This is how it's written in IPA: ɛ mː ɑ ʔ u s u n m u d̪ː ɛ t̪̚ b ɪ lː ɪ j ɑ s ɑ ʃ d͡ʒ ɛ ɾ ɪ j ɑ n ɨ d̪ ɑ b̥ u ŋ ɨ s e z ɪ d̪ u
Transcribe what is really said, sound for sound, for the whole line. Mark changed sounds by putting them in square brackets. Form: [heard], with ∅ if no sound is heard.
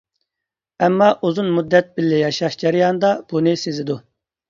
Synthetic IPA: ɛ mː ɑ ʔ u [z] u n m u d̪ː ɛ t̪̚ b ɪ lː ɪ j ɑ [ʃ] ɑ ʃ d͡ʒ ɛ ɾ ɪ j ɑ n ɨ d̪ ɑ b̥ u [n] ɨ s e z ɪ d̪ u

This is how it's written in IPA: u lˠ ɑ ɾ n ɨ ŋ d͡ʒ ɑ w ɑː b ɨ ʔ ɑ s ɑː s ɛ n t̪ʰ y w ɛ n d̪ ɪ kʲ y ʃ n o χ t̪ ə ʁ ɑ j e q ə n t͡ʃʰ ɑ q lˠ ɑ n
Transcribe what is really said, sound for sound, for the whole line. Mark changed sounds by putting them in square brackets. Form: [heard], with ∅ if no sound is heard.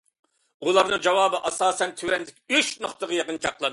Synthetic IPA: u lˠ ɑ ɾ n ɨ ŋ d͡ʒ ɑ w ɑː b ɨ ʔ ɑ s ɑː s ɛ n t̪ʰ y w ɛ n d̪ ɪ kʲ y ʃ n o χ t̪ ə ʁ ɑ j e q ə n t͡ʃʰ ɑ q lˠ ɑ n

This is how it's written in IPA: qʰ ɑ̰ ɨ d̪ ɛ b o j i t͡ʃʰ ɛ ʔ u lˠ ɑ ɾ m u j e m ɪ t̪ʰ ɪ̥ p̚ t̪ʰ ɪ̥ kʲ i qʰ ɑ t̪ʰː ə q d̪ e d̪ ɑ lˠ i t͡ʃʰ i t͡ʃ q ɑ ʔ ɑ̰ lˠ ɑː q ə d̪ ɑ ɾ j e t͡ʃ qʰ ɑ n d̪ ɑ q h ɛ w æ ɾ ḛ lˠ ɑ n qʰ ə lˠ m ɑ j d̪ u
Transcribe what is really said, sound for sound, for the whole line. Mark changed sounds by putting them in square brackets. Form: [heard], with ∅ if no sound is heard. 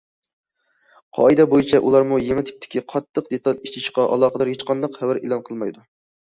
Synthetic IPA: qʰ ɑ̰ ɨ d̪ ɛ b o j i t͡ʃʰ ɛ ʔ u lˠ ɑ ɾ m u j e m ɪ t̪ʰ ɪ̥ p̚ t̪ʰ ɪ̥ kʲ i qʰ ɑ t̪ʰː ə q d̪ e [t̪] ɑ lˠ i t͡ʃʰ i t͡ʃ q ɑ ʔ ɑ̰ lˠ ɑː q ə d̪ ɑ ɾ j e t͡ʃ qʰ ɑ n d̪ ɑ q h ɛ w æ ɾ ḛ lˠ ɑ n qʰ ə lˠ m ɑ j d̪ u

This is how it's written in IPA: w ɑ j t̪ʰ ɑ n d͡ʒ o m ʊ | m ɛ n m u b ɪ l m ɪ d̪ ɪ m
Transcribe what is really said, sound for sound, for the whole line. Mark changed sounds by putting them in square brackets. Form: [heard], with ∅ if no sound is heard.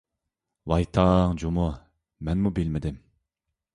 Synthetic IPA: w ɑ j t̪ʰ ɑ [ŋ] d͡ʒ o m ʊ | m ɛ n m u b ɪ l m ɪ d̪ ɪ m

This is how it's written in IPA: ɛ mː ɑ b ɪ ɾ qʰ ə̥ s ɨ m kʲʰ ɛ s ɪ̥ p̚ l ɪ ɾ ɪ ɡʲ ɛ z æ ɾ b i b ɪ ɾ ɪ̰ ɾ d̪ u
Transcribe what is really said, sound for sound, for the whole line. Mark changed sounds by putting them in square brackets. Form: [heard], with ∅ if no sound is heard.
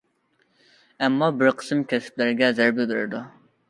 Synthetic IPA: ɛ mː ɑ b ɪ ɾ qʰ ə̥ s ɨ m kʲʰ ɛ s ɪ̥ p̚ l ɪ ɾ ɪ ɡʲ ɛ z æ ɾ b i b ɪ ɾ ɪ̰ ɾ d̪ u

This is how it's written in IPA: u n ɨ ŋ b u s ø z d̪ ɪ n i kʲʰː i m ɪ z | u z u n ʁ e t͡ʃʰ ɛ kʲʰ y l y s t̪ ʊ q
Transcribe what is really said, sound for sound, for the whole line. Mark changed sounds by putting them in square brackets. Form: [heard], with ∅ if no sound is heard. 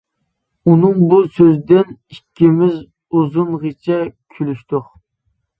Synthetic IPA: u n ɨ ŋ b u s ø z d̪ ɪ n i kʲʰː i m ɪ z | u z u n ʁ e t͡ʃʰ ɛ kʲʰ y l y [ʃ] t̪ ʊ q

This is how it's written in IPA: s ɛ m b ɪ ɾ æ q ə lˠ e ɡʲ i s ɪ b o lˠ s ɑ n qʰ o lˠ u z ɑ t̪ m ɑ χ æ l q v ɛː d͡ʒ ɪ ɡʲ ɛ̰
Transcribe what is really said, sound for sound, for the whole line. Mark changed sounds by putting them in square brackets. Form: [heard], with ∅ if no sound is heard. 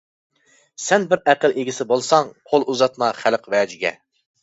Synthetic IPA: s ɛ [n] b ɪ ɾ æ q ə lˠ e ɡʲ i s ɪ b o lˠ s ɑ [ŋ] qʰ o lˠ u z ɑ t̪ m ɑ χ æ l q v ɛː d͡ʒ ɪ ɡʲ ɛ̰

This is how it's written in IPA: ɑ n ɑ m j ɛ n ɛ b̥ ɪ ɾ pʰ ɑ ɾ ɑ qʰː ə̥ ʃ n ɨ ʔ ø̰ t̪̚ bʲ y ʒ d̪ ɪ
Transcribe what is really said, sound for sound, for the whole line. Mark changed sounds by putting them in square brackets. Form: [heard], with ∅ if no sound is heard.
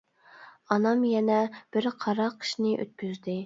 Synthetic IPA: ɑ n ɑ m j ɛ n ɛ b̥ ɪ ɾ [qʰ] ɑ ɾ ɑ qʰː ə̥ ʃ n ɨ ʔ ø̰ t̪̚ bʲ y [z] d̪ ɪ

